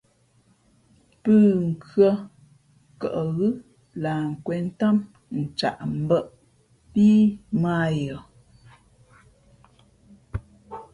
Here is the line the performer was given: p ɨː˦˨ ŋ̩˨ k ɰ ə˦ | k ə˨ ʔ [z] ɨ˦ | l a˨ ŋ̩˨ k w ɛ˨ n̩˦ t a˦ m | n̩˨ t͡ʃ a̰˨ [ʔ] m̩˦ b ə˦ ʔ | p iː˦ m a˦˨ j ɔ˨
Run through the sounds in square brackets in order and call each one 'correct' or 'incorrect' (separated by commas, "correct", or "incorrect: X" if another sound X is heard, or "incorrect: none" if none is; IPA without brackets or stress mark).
incorrect: ɣ, correct